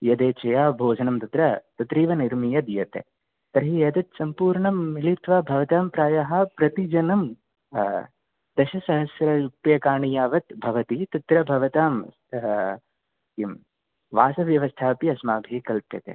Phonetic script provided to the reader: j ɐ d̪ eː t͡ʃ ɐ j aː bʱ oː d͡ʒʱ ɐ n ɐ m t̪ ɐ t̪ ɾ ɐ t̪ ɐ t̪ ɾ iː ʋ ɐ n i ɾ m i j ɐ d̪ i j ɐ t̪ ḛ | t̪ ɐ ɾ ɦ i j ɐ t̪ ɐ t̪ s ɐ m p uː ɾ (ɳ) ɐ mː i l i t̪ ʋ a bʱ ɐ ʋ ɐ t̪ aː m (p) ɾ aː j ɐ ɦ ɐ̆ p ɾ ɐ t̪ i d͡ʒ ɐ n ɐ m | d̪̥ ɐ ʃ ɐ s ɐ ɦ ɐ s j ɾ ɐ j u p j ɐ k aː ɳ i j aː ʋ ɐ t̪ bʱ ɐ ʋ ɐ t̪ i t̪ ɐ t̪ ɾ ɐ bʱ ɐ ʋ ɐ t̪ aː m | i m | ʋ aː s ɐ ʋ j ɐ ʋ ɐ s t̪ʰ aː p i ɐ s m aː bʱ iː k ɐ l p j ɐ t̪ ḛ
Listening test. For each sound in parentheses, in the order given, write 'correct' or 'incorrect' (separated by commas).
correct, correct